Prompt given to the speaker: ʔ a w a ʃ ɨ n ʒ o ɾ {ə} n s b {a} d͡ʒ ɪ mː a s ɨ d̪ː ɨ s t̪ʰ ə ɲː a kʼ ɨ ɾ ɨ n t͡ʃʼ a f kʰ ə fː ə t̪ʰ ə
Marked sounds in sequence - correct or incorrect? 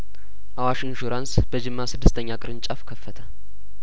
incorrect, incorrect

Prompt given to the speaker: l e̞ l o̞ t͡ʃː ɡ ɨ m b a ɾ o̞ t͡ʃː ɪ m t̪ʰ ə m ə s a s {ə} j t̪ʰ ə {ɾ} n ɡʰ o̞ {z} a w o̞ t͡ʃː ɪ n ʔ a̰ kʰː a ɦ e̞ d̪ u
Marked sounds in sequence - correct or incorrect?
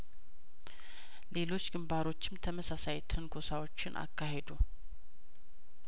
incorrect, incorrect, incorrect

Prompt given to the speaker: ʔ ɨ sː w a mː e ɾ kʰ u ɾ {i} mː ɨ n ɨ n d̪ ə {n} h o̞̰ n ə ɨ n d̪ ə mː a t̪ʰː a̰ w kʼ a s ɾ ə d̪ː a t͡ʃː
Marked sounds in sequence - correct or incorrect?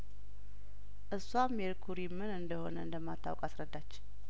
correct, incorrect

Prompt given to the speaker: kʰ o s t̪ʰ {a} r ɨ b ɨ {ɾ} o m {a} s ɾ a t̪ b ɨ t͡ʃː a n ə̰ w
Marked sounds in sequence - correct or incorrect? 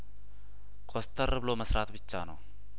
incorrect, incorrect, incorrect

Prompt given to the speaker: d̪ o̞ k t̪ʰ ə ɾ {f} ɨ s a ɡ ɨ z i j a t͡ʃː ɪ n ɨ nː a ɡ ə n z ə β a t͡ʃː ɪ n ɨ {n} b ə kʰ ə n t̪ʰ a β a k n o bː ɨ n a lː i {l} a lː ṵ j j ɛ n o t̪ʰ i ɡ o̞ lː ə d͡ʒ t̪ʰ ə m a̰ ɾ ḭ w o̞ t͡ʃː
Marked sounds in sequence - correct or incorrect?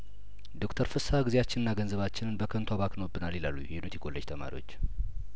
correct, correct, correct

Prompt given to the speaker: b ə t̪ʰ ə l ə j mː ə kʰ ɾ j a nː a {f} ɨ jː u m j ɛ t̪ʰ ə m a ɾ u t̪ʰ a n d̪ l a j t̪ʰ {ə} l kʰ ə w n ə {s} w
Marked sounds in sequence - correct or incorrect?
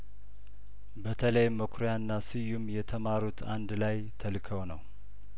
incorrect, correct, incorrect

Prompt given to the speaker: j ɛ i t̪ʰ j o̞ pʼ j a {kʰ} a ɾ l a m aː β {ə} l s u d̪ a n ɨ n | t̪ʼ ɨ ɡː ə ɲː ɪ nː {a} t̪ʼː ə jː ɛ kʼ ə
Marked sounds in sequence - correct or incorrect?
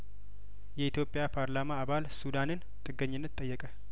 incorrect, incorrect, incorrect

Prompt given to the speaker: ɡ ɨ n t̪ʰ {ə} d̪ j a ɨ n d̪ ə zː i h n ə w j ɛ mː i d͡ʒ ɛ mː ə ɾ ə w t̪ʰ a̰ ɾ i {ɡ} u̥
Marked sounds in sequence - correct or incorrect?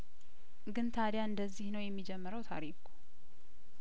incorrect, incorrect

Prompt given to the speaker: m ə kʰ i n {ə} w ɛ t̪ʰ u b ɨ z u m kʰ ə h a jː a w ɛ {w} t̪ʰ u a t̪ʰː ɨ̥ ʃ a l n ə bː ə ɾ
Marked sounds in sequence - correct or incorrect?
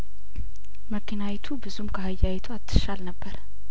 incorrect, incorrect

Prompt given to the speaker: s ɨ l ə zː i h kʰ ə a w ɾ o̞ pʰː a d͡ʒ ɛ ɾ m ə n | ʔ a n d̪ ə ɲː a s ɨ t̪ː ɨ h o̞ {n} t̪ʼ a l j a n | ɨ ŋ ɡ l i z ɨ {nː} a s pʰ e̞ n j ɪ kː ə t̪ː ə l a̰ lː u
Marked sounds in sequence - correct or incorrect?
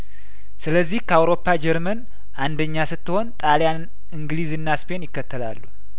correct, correct

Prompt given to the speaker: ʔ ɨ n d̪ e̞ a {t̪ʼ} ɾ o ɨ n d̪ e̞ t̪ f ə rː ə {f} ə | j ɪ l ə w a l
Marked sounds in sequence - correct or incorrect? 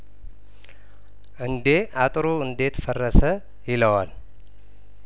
correct, incorrect

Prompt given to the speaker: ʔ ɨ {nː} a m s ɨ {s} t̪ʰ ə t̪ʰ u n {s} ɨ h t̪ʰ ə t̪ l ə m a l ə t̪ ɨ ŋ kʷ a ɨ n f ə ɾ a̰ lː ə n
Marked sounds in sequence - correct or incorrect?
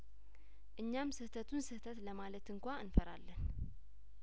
incorrect, incorrect, correct

